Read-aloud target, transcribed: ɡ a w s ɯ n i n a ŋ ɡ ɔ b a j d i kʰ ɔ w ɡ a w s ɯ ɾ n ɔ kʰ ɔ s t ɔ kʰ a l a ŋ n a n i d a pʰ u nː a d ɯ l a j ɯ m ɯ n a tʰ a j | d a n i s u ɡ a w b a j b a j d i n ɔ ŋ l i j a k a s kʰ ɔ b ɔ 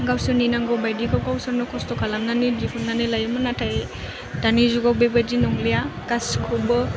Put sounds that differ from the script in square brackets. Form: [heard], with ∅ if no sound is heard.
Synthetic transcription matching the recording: ɡ a w s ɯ n i n a ŋ ɡ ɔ b a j d i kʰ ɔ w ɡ a w s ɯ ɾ n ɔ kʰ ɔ s t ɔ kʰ a l a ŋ n a n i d [i] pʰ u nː a [n] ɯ l a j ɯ m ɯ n a tʰ a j | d a n i [z] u ɡ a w b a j b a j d i n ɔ ŋ l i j a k a s kʰ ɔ b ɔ